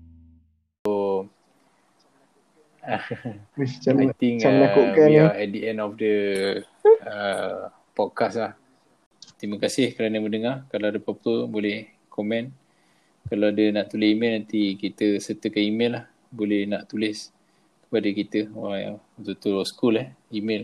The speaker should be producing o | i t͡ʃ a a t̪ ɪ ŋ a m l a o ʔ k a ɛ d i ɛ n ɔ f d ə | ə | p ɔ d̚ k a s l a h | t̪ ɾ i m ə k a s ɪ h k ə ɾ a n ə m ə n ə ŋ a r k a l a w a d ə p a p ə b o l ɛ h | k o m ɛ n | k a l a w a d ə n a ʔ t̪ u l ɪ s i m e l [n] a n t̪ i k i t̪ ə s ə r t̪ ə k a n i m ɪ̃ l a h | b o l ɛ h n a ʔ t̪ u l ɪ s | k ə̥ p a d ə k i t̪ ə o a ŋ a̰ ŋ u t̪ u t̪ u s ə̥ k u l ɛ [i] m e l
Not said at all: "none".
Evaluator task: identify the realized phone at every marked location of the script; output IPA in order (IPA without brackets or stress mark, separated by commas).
n, i